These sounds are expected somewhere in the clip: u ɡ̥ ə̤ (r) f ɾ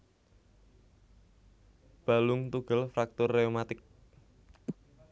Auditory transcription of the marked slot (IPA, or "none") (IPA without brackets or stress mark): l